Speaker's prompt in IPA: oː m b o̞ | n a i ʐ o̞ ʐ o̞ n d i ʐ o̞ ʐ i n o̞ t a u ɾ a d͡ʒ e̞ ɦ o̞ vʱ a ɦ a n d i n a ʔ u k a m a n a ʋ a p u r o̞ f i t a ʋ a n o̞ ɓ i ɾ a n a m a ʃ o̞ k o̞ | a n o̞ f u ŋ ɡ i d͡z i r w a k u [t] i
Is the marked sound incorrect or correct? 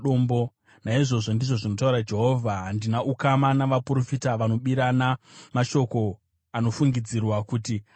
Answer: correct